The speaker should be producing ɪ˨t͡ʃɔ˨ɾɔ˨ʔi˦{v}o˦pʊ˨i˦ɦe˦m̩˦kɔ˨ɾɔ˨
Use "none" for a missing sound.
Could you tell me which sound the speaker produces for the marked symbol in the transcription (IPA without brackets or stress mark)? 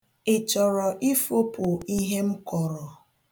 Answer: f